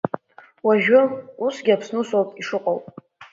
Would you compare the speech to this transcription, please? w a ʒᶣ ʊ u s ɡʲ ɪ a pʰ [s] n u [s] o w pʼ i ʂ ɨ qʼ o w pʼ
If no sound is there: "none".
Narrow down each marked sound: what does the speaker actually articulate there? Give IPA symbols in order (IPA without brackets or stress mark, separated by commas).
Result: s, s